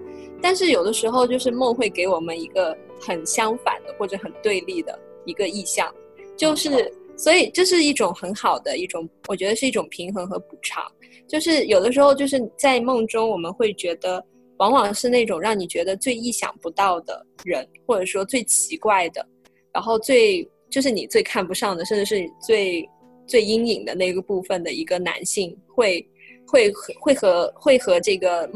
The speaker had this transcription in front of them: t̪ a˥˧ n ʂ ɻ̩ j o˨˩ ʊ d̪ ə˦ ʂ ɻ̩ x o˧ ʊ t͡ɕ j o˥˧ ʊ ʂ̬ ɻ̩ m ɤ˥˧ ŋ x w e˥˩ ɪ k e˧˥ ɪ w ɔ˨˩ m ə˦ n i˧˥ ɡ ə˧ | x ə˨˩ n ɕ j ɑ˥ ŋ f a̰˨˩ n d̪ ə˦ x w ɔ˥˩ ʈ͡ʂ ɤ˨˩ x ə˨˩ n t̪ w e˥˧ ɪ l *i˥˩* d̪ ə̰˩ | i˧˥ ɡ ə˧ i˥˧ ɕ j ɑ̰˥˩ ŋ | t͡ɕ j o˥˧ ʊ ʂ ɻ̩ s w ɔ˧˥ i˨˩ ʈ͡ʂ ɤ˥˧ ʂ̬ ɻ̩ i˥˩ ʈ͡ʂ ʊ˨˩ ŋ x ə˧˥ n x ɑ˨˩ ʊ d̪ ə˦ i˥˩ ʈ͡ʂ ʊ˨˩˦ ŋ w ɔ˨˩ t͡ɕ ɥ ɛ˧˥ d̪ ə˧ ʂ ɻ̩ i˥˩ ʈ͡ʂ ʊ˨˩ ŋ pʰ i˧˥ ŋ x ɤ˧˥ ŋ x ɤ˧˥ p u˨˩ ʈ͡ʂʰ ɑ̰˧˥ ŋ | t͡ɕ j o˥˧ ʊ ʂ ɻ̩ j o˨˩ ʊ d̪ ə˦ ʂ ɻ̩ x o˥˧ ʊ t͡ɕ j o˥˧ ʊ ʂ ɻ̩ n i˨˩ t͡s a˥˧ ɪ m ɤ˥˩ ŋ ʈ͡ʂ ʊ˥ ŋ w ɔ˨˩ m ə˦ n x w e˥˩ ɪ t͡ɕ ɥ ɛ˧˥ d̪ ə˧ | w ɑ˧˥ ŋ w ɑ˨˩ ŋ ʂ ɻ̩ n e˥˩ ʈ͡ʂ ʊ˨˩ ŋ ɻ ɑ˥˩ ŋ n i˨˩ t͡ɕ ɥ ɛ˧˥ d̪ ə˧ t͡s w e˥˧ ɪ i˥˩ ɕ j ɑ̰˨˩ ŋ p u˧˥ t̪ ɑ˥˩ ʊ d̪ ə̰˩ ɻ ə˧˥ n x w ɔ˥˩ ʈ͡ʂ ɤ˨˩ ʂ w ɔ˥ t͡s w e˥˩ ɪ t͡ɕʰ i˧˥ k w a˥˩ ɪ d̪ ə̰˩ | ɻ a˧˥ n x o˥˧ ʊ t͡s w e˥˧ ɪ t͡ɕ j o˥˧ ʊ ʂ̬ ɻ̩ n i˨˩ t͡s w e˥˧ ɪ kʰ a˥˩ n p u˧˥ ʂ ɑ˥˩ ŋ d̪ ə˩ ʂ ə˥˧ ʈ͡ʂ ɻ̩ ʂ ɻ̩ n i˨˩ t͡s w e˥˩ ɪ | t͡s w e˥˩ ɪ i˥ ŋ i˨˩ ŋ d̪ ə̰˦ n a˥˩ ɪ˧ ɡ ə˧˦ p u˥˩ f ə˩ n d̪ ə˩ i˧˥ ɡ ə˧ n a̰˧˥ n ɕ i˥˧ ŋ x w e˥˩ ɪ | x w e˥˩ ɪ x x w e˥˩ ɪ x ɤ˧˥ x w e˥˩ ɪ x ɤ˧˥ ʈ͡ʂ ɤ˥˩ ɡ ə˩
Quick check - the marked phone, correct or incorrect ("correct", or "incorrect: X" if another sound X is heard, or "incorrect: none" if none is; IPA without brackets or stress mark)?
correct